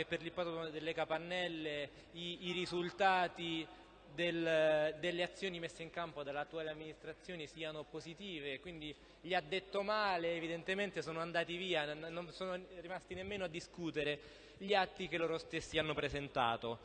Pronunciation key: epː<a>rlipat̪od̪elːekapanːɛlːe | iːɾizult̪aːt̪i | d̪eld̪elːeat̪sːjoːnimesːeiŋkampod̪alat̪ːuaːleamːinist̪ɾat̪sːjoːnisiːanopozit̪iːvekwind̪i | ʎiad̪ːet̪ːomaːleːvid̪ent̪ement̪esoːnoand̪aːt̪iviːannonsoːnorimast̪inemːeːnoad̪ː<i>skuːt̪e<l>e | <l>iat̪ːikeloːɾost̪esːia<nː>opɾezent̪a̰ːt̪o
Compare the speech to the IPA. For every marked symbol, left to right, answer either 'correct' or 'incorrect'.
incorrect: e, correct, incorrect: ɾ, incorrect: ʎ, correct

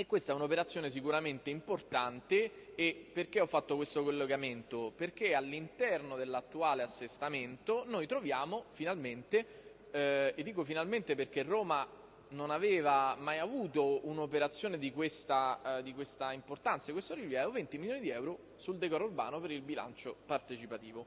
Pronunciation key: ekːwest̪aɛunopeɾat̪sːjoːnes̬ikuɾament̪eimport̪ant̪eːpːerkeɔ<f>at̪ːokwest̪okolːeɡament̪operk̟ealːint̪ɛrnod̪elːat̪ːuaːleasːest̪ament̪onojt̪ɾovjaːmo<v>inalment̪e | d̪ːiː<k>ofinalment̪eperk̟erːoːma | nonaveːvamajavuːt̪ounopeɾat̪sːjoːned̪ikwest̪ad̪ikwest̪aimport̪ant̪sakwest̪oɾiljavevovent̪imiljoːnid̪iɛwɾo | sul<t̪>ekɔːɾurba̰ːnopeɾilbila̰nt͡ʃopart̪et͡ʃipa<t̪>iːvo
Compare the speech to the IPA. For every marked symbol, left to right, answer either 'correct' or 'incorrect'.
incorrect: fː, incorrect: f, correct, incorrect: d̪, correct

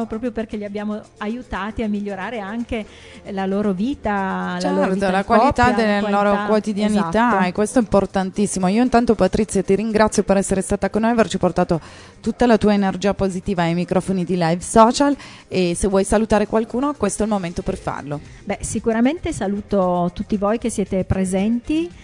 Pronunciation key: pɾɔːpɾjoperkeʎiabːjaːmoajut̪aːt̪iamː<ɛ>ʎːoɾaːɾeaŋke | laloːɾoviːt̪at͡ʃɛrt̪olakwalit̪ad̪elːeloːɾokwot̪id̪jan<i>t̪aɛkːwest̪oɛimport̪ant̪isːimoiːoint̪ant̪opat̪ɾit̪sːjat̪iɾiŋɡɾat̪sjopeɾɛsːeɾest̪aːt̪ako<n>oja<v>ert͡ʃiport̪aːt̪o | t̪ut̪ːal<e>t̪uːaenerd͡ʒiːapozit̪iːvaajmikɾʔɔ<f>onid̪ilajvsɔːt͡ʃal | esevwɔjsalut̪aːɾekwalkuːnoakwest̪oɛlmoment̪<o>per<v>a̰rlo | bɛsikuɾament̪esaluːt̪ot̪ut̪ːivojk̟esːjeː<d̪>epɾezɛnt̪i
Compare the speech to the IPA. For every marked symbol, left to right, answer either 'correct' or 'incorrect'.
incorrect: i, correct, incorrect: nː, correct, incorrect: a, correct, correct, incorrect: f, incorrect: t̪

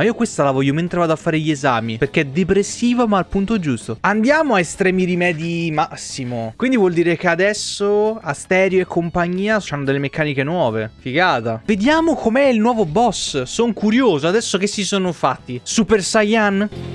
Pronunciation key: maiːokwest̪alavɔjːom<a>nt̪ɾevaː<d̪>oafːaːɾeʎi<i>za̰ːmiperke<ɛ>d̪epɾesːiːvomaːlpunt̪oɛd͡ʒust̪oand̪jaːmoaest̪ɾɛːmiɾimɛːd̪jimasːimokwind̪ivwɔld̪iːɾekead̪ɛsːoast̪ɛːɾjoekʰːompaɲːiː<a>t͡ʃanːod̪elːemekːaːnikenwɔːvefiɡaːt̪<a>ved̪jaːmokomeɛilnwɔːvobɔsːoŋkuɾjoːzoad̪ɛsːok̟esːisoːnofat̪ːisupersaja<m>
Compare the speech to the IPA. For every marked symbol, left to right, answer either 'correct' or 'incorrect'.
incorrect: e, correct, incorrect: e, correct, correct, correct, incorrect: n

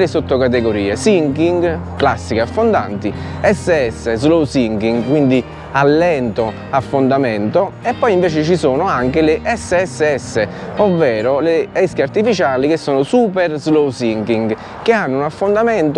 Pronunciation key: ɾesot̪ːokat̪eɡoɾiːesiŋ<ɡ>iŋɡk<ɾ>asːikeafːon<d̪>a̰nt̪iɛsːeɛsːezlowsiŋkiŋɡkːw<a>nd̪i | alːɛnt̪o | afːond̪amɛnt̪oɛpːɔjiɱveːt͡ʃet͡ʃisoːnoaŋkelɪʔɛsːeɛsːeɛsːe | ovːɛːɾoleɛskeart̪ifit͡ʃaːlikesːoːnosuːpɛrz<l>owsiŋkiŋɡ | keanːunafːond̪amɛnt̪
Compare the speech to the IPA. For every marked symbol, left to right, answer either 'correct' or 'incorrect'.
incorrect: k, incorrect: l, correct, incorrect: i, correct

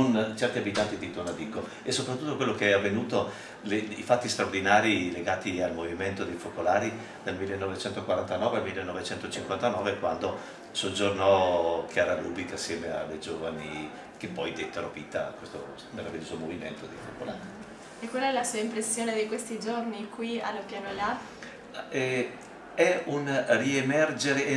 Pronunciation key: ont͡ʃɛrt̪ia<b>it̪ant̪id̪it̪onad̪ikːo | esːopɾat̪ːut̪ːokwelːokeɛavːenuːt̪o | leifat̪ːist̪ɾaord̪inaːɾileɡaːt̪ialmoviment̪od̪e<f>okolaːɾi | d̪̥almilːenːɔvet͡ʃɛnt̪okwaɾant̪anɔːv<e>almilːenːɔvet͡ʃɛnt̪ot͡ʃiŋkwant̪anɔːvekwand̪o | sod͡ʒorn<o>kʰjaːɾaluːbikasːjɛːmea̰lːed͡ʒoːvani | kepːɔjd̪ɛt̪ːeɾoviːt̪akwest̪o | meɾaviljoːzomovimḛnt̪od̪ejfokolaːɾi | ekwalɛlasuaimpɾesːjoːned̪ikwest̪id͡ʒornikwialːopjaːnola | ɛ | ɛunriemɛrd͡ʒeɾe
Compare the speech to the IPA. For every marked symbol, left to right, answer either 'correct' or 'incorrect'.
correct, correct, correct, incorrect: ɔ

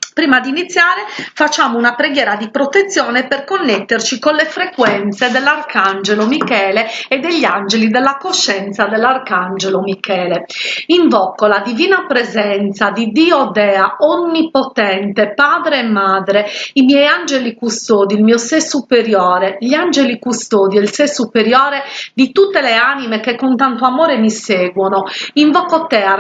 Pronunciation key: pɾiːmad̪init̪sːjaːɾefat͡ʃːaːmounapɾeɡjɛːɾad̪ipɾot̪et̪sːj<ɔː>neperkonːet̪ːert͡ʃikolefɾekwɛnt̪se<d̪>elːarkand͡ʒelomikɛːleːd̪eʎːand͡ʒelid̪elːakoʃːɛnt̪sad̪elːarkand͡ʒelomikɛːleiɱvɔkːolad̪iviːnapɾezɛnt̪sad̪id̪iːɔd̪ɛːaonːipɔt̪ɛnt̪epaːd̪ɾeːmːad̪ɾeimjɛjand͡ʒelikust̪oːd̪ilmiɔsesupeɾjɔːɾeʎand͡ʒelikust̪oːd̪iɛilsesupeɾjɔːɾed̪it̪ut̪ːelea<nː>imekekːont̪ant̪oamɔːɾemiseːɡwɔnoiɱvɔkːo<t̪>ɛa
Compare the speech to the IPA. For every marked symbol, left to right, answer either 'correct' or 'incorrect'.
correct, correct, incorrect: n, correct

